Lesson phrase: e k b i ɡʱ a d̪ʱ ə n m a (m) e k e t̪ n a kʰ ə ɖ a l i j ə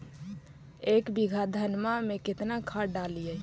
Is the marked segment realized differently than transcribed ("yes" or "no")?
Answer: no